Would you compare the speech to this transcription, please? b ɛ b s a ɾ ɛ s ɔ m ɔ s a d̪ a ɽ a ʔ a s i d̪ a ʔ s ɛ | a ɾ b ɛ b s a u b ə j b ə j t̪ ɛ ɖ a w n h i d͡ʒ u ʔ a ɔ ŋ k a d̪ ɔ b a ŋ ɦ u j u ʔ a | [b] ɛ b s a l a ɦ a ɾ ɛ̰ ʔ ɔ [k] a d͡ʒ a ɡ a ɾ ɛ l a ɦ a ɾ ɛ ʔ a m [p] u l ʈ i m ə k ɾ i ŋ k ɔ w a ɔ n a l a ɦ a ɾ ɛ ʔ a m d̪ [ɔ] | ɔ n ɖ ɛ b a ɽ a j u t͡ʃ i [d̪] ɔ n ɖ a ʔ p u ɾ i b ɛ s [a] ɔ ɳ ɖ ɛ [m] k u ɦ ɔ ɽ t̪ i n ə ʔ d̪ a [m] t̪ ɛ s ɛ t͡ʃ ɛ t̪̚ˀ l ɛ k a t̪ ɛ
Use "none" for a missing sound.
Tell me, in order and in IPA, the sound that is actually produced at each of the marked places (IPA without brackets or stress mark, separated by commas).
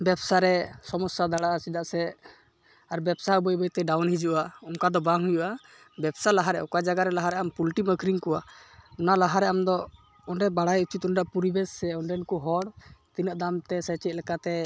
b, k, p, ɔ, t̪, ɛ, n, m